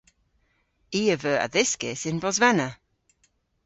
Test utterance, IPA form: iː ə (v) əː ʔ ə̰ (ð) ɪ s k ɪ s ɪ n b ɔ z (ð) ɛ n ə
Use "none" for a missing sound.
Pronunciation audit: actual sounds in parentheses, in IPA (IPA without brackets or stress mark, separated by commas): v, ð, v